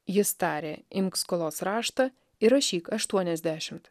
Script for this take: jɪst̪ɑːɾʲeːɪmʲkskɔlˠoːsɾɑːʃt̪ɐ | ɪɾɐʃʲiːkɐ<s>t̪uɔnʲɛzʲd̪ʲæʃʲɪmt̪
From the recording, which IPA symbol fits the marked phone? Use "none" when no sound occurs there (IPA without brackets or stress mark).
ʃ